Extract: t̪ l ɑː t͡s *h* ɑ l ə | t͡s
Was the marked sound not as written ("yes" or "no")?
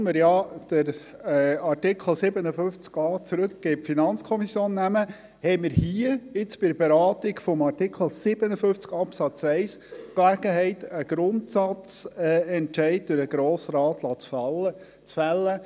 yes